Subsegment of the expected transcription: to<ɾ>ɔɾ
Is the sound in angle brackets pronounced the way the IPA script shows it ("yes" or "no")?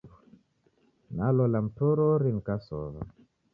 yes